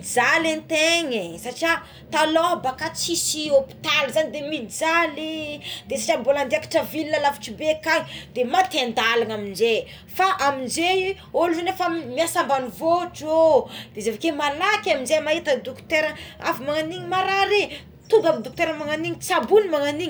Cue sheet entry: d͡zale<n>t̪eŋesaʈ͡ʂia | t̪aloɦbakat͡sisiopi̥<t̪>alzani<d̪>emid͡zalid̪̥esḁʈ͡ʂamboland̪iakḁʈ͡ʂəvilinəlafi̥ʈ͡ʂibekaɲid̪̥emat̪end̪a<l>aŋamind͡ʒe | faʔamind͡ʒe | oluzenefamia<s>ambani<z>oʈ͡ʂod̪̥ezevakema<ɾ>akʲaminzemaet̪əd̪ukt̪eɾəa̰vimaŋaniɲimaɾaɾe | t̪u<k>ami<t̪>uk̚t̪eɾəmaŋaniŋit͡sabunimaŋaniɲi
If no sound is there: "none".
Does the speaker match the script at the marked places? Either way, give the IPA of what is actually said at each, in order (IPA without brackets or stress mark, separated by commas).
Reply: n, t̪, d̪, l, s, v, l, ɡ, d̪